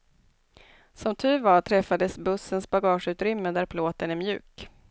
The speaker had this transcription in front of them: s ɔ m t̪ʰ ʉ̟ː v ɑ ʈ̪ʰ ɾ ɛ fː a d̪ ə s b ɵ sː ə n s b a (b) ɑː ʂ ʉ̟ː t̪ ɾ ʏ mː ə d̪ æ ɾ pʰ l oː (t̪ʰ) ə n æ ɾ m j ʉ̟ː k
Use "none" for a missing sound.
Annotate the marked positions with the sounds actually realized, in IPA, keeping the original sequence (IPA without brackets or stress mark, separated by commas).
ɡ, t̪